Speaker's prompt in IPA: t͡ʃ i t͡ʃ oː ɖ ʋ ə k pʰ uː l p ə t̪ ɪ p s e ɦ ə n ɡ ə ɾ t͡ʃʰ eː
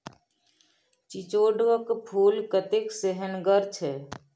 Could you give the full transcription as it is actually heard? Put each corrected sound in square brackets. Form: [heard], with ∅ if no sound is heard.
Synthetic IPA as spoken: t͡ʃ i t͡ʃ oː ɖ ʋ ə k pʰ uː l [k] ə t̪ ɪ [k] s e ɦ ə n ɡ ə ɾ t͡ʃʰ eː